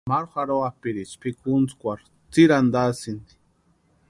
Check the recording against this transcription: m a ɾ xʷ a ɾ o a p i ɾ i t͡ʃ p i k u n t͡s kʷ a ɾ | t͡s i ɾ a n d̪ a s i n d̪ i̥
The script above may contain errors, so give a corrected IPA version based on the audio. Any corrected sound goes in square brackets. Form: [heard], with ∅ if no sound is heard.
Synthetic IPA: m a ɾ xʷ a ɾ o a p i ɾ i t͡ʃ p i k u n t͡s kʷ a ɾ | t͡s i ɾ a n d̪ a s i n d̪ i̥